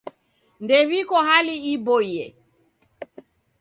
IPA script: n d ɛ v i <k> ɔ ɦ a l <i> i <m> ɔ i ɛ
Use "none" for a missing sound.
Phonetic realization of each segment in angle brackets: k, i, b

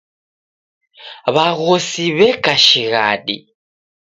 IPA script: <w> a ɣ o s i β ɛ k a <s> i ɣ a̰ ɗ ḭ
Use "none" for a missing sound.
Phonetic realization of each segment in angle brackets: β, ʃ

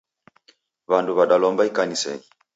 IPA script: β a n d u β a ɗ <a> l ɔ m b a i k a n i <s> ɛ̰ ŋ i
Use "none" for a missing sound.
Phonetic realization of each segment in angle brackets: a, s

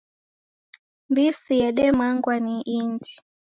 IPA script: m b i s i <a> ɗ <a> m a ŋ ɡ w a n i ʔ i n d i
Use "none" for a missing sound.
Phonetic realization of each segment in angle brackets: ɛ, ɛ

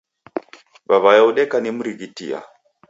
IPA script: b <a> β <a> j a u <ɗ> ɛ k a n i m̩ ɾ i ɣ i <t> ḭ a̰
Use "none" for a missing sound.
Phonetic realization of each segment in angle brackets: a, a, ɗ, t

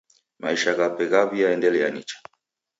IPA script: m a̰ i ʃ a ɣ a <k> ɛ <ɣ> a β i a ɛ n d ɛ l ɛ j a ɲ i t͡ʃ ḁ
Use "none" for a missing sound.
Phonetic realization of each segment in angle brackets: p, ɣ

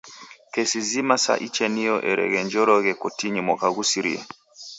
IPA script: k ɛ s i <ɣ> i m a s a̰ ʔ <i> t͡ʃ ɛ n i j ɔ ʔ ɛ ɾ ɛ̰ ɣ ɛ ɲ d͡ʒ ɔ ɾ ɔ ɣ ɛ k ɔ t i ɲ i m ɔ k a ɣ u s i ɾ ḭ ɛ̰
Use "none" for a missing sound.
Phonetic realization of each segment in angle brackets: z, i

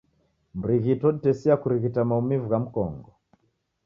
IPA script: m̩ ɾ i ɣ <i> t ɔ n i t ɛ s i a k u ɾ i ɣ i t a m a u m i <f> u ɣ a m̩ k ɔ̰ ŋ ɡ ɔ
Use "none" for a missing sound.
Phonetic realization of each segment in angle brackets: i, v

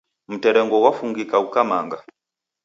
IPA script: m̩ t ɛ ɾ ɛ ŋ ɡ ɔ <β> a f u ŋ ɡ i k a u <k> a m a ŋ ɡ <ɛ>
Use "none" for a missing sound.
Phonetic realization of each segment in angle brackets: w, k, a

